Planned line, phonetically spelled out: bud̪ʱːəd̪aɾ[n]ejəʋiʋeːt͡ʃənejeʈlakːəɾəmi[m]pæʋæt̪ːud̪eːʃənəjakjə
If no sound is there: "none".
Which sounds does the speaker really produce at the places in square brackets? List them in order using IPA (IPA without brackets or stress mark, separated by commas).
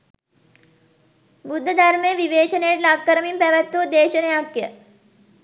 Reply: m, m